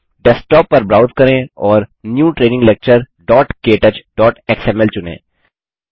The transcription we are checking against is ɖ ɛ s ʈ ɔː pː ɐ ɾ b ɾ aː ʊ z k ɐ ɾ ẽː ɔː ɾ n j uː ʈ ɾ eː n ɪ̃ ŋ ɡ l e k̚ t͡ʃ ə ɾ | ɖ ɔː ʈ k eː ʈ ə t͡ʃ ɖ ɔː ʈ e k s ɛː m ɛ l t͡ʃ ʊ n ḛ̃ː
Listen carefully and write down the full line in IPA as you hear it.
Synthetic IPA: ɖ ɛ s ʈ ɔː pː ɐ ɾ b ɾ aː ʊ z k ɐ ɾ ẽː ɔː ɾ n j uː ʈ ɾ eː n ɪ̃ ŋ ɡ l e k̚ t͡ʃ ə ɾ | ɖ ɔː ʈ k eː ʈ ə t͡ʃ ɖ ɔː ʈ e k s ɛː m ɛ l t͡ʃ ʊ n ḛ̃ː